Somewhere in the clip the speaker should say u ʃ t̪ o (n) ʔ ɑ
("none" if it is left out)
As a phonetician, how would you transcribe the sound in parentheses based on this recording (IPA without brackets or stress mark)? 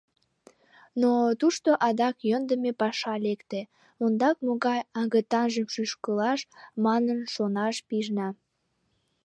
none